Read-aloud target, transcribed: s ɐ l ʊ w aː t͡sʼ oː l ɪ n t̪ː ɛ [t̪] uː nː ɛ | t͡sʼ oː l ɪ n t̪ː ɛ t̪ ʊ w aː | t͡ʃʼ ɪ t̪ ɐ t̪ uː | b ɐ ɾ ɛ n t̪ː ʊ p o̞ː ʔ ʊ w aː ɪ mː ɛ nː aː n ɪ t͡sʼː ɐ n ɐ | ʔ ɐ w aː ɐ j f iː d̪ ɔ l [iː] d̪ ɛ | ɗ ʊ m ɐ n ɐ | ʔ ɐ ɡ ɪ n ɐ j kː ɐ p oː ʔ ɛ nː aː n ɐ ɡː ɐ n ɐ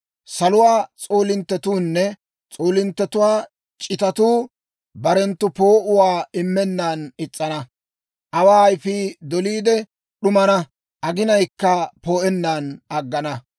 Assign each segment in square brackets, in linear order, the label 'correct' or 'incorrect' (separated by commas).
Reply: correct, correct